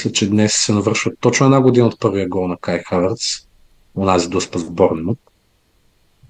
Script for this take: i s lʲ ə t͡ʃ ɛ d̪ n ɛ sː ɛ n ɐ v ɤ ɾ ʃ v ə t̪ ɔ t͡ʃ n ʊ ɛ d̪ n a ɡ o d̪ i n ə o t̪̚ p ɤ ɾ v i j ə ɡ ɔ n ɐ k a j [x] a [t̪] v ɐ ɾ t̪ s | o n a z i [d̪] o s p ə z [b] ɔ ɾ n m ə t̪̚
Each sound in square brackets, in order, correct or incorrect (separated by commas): correct, incorrect, correct, correct